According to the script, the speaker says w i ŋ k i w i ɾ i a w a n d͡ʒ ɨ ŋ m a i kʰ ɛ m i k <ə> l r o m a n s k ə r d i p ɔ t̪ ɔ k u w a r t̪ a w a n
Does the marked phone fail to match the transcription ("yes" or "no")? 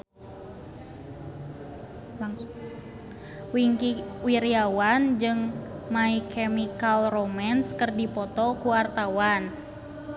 yes